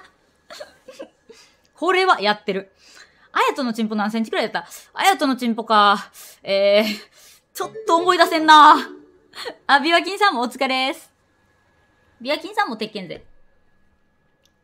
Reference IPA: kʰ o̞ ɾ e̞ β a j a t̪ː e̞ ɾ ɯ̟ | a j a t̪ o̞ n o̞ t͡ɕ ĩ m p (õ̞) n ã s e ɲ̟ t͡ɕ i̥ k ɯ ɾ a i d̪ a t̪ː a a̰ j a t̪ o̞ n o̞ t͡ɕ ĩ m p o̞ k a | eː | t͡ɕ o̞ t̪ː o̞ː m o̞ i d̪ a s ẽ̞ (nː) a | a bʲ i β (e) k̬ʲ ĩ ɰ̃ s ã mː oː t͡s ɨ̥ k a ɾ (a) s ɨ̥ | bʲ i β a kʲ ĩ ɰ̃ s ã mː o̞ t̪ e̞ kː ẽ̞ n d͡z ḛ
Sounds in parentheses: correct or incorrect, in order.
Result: incorrect: o̞, correct, incorrect: a, incorrect: e

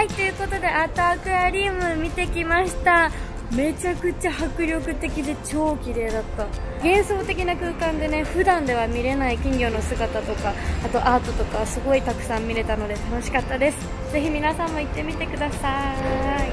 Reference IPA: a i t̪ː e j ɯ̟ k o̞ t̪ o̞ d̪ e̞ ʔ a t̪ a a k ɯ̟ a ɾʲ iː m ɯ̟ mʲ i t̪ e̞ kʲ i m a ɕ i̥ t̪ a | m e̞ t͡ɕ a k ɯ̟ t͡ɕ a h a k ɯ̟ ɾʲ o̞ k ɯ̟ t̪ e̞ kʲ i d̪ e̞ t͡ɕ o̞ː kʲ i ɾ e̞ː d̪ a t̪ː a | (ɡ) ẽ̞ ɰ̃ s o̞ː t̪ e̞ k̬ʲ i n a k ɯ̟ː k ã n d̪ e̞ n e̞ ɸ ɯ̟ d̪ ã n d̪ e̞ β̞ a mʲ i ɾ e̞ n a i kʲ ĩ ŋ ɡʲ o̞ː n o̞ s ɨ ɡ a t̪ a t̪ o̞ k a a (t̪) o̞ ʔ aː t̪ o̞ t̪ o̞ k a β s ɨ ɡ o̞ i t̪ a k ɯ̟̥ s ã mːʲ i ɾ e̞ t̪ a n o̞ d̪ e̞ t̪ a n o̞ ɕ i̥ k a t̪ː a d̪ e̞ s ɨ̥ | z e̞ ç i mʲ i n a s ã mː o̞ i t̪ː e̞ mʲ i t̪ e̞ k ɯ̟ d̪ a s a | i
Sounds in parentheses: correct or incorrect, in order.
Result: correct, correct

